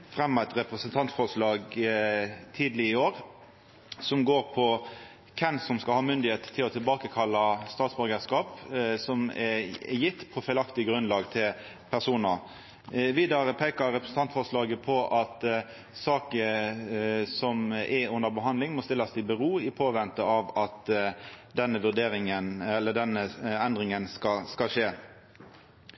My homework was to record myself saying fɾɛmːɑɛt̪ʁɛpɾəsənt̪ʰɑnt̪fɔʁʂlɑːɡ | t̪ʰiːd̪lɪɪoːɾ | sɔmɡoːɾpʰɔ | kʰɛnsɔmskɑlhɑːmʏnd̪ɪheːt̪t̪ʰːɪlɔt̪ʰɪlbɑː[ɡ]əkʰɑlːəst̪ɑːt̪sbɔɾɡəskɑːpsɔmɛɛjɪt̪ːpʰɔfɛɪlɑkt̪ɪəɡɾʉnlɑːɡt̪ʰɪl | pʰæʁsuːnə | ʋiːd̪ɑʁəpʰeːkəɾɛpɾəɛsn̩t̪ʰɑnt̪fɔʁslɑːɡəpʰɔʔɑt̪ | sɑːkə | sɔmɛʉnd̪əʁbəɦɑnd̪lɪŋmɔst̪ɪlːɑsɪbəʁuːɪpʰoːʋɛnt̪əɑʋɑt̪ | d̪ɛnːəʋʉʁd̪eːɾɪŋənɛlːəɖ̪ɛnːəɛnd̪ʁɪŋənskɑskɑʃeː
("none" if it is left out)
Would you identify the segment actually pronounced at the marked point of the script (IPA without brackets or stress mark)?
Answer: k